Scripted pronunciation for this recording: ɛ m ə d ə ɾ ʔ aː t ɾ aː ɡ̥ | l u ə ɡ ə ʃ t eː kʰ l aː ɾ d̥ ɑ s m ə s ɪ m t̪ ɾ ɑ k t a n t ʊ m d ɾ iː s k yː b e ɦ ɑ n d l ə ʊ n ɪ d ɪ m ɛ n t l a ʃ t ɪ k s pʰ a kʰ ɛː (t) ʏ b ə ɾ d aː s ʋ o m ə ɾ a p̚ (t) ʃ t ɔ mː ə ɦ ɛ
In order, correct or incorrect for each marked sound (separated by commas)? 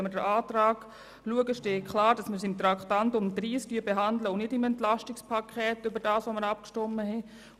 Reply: correct, incorrect